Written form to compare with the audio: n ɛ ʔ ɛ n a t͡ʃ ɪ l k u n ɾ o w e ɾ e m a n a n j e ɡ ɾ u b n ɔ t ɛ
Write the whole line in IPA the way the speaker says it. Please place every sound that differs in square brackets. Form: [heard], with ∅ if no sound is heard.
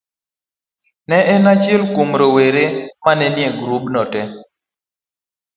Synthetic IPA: n ɛ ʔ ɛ n a t͡ʃ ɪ l k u [m] ɾ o w e ɾ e m a n [ɛ] n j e ɡ ɾ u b n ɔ t ɛ

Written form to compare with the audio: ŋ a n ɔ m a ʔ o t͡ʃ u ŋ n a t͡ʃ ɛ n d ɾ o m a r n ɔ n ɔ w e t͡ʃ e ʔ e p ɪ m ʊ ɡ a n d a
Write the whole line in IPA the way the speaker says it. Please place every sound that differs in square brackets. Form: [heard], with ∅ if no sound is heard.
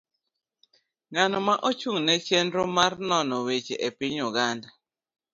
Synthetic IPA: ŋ a n ɔ m a ʔ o t͡ʃ u ŋ n [ɛ] t͡ʃ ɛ n d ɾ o m a r n ɔ n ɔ w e t͡ʃ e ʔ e p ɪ [ɲ] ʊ ɡ a n d a

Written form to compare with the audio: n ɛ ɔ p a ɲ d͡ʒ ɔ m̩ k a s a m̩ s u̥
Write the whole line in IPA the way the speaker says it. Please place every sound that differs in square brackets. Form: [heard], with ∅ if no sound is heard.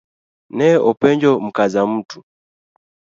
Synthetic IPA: n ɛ ɔ p [ɛ] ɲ d͡ʒ ɔ m̩ k a [z] a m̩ [t] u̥

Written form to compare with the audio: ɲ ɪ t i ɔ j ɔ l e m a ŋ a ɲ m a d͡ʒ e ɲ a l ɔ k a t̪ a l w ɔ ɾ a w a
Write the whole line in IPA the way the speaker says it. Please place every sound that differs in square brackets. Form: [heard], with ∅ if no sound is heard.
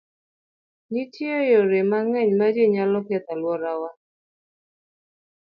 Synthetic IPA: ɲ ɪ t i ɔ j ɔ [ɾ] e m a ŋ [ɛ] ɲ m a d͡ʒ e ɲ a l ɔ k [ɛ] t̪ a l w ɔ ɾ a w a

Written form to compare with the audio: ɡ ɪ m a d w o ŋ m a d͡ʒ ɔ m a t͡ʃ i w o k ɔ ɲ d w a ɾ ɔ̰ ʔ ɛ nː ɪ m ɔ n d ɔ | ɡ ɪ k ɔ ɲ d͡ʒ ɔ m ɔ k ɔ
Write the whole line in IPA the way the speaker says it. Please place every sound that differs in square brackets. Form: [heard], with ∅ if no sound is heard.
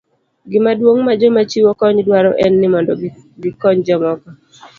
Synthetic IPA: ɡ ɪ m a d w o ŋ m a d͡ʒ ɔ m a t͡ʃ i w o k ɔ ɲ d w a ɾ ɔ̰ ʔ ɛ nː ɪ m ɔ n d ɔ | ɡ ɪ k ɔ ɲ d͡ʒ ɔ m ɔ k ɔ

